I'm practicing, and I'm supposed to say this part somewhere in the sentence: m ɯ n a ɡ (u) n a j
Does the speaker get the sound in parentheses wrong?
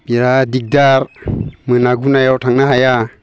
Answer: no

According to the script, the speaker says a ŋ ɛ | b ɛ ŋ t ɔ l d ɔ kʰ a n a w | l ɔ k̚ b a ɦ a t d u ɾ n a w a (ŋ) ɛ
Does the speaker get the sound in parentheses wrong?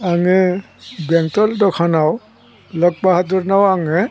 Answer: no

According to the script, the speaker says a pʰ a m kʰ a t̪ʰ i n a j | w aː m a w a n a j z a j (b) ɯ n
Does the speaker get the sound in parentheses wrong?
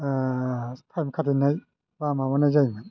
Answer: yes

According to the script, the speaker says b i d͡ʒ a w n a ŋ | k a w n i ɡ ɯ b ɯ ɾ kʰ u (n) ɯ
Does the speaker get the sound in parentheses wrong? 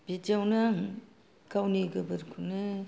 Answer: no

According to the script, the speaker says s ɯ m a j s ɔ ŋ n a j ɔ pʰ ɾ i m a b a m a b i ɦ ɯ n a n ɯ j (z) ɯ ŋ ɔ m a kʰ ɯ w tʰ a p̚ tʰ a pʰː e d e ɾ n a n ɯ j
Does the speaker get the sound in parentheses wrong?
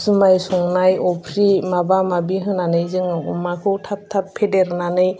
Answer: no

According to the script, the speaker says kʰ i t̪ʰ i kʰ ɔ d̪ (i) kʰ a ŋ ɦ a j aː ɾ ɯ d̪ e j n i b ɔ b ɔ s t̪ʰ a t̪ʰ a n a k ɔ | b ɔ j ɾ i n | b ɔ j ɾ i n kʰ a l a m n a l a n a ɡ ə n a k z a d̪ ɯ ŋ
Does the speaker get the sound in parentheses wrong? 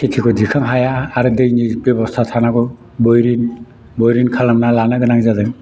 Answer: no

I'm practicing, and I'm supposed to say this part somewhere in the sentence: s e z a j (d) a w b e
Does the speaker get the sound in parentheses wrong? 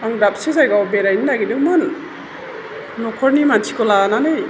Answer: yes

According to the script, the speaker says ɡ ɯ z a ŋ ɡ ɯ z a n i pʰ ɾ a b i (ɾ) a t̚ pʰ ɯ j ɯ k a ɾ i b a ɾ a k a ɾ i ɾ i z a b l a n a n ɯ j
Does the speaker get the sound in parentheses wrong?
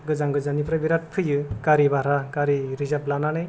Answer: no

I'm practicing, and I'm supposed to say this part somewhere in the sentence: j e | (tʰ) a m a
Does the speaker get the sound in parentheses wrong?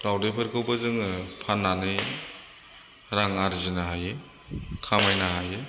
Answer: yes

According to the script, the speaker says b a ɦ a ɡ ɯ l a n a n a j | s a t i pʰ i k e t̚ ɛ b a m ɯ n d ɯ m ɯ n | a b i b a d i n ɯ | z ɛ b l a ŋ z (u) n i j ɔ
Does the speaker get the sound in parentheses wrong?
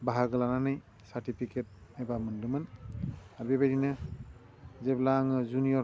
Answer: no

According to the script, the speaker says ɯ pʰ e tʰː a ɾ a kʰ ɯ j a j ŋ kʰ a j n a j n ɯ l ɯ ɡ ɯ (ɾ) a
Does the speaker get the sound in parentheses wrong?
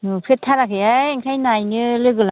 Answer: yes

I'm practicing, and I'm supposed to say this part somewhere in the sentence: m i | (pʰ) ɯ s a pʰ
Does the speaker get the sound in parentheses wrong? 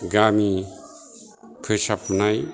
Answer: no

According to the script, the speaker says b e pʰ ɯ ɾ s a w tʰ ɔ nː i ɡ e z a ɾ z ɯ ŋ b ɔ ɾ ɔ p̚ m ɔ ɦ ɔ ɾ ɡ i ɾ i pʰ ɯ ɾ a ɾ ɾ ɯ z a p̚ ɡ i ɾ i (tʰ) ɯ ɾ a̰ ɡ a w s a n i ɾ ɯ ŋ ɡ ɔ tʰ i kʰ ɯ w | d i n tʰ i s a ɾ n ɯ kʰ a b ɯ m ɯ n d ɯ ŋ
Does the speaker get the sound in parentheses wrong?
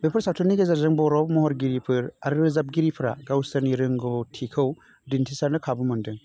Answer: yes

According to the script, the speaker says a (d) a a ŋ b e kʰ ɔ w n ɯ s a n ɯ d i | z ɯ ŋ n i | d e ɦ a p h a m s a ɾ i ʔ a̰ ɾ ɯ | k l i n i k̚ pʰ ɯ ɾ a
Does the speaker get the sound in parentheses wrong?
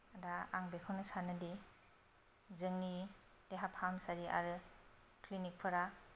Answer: no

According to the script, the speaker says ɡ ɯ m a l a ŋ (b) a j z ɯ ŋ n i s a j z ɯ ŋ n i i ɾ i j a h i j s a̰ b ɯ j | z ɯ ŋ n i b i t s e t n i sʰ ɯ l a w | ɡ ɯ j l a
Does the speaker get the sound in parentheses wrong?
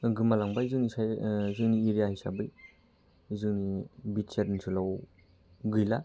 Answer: no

